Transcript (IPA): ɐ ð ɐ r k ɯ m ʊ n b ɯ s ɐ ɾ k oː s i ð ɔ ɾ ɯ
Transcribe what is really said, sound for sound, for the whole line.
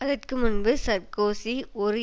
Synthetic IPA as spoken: ɐ ð ɐ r k ɯ m ʊ n b ɯ s ɐ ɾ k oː s i ɔ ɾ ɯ